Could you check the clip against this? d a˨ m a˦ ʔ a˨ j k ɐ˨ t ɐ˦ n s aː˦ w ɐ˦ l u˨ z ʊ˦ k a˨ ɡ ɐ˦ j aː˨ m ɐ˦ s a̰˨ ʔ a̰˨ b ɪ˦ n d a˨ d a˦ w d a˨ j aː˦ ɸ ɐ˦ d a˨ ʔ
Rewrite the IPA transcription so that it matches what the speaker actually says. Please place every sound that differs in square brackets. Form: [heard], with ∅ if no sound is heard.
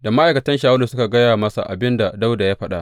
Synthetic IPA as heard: d a˨ m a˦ ʔ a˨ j k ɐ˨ t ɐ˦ n [ʃ] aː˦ w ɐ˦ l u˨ [s] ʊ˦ k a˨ ɡ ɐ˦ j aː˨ m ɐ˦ s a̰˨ ʔ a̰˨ b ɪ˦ n d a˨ d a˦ w d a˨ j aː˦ ɸ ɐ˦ [ɗ] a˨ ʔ